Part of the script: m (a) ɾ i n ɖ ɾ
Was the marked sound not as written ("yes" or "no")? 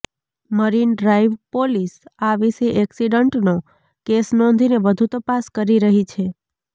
yes